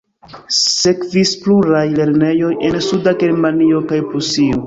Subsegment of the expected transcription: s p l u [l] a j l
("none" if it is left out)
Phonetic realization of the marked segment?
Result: ɾ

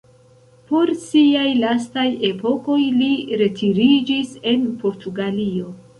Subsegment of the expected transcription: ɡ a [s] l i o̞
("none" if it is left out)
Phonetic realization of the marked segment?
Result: none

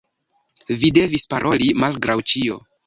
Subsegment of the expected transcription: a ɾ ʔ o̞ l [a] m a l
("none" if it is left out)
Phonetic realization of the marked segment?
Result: i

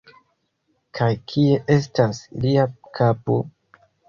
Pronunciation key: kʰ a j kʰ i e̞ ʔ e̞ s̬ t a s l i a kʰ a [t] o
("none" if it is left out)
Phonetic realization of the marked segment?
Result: p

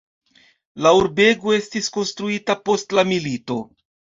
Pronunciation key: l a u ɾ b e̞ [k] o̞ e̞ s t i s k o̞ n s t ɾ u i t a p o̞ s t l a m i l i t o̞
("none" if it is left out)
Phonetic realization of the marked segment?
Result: ɡ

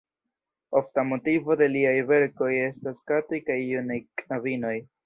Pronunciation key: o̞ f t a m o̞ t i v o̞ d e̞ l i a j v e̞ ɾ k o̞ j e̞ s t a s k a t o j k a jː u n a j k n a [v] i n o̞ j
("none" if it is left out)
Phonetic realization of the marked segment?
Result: v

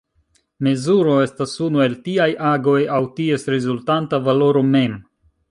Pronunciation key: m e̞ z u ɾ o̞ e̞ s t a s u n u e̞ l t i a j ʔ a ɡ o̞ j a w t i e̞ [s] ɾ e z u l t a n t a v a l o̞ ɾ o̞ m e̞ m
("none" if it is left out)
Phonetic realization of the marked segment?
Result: s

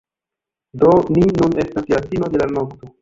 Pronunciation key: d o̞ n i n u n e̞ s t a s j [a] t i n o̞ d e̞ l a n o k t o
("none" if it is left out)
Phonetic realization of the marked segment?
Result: a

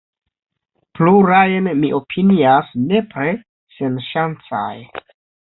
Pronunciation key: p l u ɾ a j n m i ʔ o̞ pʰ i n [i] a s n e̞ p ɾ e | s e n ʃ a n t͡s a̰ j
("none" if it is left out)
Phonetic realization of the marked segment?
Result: i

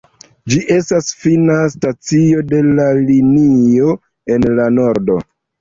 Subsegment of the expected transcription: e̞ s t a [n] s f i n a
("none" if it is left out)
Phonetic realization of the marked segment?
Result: none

